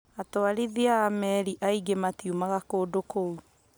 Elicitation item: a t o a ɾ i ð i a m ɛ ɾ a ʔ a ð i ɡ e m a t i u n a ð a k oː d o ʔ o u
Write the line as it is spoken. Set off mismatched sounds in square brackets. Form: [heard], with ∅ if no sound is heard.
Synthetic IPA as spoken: a t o a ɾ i ð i a m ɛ ɾ [i] ʔ a [∅] i ɡ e m a t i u [m] a [ɣ] a k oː d o [k] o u

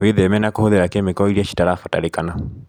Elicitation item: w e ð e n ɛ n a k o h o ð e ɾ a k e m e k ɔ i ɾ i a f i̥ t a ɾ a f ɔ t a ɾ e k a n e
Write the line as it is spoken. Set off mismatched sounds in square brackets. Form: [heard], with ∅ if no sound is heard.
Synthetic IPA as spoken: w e ð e [m] ɛ n a k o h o ð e ɾ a k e m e k ɔ i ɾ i a [ʃ] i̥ t a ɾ a f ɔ t a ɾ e k a n [a]

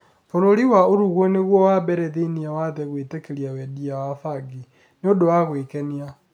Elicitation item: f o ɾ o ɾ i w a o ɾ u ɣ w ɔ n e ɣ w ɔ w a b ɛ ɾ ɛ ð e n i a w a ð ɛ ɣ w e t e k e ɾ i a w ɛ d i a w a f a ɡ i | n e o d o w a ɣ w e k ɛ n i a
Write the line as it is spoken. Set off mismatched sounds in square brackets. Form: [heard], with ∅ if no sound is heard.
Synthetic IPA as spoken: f o ɾ o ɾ i w a o ɾ u ɣ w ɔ n e ɣ w ɔ w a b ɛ ɾ ɛ ð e n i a w a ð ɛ ɣ w e t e k e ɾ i a w ɛ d i a w a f a ɡ i | n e o d o w a ɣ w e k ɛ n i a

